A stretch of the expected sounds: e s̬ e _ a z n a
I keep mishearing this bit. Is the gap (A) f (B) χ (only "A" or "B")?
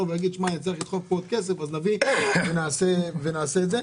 A